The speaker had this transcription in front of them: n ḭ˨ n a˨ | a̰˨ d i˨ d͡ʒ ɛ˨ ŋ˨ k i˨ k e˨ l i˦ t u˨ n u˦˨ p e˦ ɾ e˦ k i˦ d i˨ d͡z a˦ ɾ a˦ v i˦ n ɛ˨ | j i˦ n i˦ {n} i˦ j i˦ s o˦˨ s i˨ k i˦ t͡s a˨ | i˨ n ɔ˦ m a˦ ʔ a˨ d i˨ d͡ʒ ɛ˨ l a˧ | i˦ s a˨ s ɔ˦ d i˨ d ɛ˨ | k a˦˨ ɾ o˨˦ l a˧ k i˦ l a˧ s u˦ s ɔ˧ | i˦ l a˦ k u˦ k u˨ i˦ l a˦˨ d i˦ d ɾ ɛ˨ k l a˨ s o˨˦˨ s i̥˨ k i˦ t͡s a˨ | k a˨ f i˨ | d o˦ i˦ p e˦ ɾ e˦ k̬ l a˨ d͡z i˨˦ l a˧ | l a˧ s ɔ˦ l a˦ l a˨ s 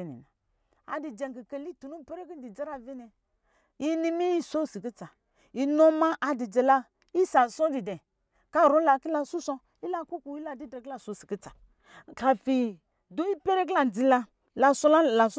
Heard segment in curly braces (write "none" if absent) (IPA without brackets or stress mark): m